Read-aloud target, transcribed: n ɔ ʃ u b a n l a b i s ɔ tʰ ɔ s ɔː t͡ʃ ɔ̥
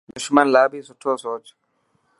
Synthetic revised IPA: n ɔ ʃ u m a n l a b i s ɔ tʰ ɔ s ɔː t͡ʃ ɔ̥